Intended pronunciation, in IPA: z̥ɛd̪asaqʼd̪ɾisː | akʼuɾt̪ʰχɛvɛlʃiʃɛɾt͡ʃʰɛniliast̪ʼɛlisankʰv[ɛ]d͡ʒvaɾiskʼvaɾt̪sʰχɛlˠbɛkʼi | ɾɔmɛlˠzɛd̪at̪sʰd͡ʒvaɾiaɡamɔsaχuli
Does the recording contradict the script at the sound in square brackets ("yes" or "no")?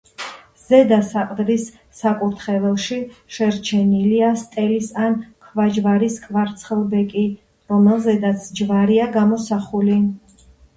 yes